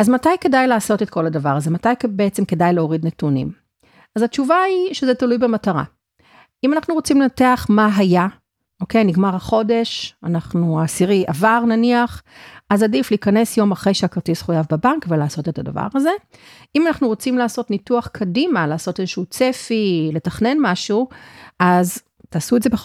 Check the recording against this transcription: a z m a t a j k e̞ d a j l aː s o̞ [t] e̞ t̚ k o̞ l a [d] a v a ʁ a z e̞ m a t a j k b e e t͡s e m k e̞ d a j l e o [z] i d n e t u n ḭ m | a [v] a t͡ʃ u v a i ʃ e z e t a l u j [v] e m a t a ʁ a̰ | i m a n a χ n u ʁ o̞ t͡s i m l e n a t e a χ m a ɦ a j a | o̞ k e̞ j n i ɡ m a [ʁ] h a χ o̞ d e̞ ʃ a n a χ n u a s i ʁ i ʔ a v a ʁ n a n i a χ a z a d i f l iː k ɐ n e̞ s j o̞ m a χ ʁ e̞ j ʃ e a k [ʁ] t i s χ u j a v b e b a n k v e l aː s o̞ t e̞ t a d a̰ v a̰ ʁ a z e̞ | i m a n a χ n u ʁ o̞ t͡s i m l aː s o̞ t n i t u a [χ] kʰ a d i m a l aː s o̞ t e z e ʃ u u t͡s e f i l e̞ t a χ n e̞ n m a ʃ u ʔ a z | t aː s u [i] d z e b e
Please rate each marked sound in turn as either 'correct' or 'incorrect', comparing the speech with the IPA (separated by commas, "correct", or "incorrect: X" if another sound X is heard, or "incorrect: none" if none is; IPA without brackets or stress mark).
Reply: correct, correct, incorrect: ʁ, incorrect: z, incorrect: b, correct, correct, correct, incorrect: e